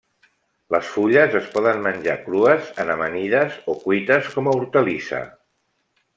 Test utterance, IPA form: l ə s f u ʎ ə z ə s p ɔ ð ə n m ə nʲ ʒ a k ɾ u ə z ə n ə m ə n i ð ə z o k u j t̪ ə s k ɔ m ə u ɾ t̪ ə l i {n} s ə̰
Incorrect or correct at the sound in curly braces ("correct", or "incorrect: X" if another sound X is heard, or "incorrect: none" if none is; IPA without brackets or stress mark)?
incorrect: none